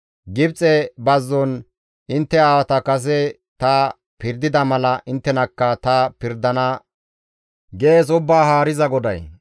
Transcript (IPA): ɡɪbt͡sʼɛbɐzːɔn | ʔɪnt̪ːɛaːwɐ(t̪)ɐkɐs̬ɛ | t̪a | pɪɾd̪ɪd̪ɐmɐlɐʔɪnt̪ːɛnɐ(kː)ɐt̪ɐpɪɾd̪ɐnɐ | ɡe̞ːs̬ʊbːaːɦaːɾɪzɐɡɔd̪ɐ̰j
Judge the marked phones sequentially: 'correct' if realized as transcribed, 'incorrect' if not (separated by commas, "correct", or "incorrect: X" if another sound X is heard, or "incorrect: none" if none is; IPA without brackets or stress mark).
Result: correct, correct